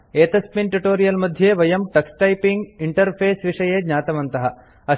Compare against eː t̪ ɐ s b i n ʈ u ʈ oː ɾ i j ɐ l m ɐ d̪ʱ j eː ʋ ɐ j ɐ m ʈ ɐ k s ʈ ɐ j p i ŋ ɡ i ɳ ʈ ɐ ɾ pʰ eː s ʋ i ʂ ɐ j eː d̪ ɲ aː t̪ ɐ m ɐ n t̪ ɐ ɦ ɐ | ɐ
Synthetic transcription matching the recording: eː t̪ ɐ s p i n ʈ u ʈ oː ɾ i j ɐ l m ɐ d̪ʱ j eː ʋ ɐ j ɐ m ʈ ɐ k s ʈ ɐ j p i ŋ ɡ i ɳ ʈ ɐ ɾ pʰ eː s ʋ i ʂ ɐ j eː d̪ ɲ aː t̪ ɐ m ɐ n t̪ ɐ ɦ ɐ | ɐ